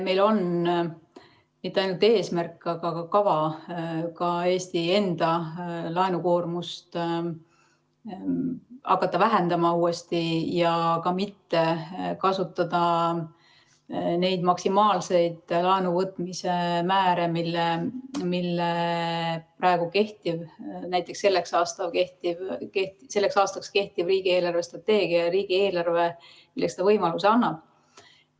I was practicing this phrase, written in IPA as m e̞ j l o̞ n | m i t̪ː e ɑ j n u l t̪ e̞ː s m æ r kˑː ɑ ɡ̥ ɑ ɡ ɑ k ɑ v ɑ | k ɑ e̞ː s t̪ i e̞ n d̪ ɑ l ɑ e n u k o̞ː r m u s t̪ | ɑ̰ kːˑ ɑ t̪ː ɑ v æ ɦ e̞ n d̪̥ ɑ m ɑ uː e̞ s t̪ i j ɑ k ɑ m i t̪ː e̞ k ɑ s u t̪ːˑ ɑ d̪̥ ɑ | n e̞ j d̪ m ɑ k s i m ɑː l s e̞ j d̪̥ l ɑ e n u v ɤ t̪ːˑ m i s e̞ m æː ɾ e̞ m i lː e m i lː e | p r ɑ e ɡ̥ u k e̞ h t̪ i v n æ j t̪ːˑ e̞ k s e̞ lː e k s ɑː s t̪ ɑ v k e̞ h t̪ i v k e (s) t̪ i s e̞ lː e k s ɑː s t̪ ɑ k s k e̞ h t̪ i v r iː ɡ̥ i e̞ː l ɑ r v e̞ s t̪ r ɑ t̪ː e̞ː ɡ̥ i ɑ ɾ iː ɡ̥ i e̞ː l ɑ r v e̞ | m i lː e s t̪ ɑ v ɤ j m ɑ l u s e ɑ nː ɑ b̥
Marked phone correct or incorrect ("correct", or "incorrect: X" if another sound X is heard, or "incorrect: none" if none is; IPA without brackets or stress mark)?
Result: incorrect: h